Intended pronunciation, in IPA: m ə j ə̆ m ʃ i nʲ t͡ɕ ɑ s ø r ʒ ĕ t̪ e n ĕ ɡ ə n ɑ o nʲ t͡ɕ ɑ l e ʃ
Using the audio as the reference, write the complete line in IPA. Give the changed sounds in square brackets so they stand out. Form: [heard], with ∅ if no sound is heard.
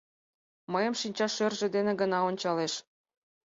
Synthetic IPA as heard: m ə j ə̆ m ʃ i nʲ t͡ɕ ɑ [ʃ] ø r ʒ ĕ [d̪] e n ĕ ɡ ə n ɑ o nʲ t͡ɕ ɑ l e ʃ